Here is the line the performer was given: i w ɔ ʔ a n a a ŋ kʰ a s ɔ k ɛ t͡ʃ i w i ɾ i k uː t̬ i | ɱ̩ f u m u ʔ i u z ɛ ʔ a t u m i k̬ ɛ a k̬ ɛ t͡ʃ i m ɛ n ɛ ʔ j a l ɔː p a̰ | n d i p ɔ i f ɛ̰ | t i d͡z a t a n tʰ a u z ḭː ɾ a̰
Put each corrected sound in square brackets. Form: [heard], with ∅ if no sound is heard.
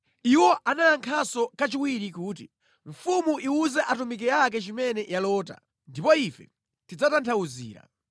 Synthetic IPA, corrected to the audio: i w ɔ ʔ a n a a ŋ kʰ a s ɔ k [a] t͡ʃ i w i ɾ i k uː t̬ i | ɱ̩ f u m u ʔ i u z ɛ ʔ a t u m i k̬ ɛ a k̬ ɛ t͡ʃ i m ɛ n ɛ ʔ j a l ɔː [t] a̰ | n d i p ɔ i f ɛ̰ | t i d͡z a t a n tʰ a u z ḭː ɾ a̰